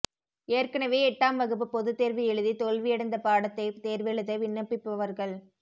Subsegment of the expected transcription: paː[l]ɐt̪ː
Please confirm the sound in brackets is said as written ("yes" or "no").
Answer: no